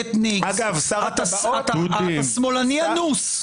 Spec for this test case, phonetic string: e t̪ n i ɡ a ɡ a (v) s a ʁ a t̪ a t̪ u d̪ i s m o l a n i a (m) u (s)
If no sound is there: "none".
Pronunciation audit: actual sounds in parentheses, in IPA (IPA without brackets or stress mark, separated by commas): v, n, s